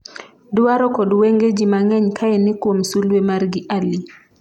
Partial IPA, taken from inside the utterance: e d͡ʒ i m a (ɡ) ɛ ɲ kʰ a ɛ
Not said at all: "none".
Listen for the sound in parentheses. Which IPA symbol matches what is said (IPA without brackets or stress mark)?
ŋ